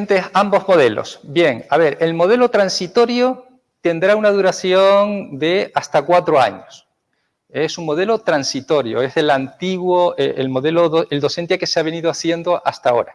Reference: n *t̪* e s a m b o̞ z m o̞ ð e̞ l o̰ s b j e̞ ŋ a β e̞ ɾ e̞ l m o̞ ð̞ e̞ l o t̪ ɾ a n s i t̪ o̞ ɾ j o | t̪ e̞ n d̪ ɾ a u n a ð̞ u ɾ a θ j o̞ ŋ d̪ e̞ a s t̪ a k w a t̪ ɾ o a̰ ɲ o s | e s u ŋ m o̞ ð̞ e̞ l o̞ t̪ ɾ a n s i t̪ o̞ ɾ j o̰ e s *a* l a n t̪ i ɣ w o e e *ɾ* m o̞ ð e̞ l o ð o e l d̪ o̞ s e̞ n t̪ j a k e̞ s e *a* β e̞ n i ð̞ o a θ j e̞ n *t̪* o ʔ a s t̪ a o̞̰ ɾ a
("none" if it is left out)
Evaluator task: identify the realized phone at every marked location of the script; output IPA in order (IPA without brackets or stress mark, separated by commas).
t̪, e, l, a, d̪